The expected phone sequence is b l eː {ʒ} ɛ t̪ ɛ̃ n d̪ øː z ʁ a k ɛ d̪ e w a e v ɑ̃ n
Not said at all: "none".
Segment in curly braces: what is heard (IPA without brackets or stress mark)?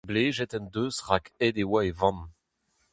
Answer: ʒ